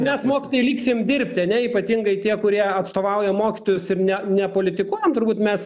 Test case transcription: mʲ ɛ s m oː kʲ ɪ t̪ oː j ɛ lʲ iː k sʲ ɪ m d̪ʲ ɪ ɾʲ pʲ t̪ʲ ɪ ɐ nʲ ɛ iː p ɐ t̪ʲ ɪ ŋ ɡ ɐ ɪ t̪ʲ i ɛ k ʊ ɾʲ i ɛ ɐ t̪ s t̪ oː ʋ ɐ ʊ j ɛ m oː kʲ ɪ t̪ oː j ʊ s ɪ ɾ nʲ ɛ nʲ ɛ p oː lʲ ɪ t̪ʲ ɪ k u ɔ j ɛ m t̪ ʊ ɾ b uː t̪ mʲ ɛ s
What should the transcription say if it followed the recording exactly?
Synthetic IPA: mʲ ɛ s m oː kʲ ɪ t̪ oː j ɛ lʲ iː k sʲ ɪ m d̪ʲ ɪ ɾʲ pʲ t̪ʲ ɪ ɐ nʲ ɛ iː p ɐ t̪ʲ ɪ ŋ ɡ ɐ ɪ t̪ʲ i ɛ k ʊ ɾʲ i ɛ ɐ t̪ s t̪ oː ʋ ɐ ʊ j ɛ m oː kʲ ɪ t̪ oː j ʊ s ɪ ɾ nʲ ɛ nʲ ɛ p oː lʲ ɪ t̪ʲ ɪ k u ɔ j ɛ m t̪ ʊ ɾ b uː t̪ mʲ ɛ s